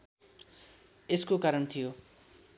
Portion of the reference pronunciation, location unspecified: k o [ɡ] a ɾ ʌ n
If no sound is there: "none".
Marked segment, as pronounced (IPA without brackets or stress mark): k